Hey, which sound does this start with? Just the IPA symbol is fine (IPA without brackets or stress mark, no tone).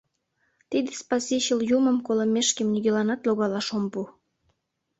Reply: t̪